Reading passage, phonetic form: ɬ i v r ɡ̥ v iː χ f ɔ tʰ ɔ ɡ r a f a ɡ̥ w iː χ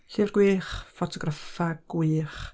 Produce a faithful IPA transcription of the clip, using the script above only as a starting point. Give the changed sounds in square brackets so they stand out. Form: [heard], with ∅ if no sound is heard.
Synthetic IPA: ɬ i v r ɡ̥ [w] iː χ f ɔ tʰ ɔ ɡ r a f a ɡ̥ w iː χ